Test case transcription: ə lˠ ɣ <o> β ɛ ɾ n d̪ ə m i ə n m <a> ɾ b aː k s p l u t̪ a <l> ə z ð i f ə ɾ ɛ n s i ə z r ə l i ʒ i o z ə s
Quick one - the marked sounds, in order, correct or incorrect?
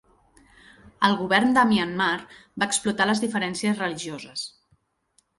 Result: incorrect, correct, correct

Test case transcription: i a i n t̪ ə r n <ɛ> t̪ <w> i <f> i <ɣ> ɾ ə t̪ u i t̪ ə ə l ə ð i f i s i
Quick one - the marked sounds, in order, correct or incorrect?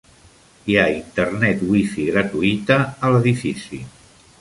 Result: correct, correct, correct, correct

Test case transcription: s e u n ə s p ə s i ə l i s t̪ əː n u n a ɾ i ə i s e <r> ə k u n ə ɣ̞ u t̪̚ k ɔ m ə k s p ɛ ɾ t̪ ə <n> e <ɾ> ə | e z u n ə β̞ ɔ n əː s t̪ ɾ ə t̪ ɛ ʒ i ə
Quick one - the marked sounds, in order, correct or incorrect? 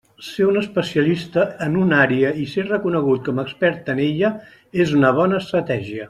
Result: correct, correct, incorrect

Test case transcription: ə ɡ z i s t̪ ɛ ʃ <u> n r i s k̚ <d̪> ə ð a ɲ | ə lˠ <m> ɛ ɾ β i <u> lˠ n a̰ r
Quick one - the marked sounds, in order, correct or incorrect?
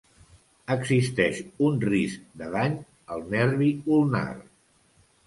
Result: correct, correct, incorrect, correct

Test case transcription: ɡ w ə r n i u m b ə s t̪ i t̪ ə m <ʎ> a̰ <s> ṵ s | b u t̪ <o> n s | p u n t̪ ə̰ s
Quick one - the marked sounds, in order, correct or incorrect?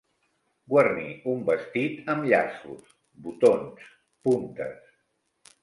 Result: correct, correct, correct

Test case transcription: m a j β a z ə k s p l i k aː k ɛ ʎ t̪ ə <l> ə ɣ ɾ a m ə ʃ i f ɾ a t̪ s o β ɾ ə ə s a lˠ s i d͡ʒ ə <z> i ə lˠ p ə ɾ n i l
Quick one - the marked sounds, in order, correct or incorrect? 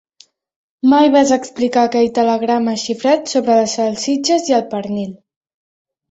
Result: correct, correct

